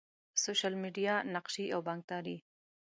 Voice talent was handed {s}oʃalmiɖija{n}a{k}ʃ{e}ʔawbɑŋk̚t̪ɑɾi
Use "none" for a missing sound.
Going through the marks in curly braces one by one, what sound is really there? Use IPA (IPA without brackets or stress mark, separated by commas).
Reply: s, n, q, i